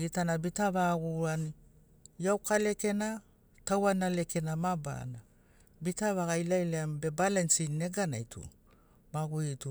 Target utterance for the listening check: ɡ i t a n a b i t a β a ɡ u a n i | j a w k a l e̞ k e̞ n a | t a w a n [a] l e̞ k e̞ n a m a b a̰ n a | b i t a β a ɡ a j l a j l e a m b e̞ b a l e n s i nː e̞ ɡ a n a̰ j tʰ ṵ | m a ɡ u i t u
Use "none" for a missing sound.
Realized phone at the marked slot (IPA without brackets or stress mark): a